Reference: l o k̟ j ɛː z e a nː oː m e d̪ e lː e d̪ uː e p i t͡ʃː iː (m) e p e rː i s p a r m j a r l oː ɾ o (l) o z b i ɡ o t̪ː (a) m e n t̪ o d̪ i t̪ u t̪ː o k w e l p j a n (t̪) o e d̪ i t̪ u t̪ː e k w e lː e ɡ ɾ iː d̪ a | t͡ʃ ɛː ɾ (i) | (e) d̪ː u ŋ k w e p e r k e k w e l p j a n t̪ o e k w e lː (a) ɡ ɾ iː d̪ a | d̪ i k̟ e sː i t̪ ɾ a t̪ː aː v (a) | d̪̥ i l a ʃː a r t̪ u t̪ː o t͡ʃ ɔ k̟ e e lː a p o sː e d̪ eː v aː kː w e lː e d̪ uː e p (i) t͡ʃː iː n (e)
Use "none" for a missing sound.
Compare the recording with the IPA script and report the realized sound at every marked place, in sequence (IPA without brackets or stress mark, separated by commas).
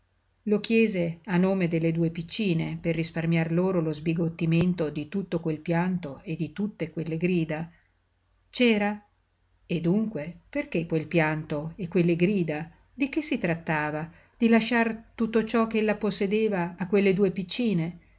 n, l, i, t̪, a, e, e, a, i, e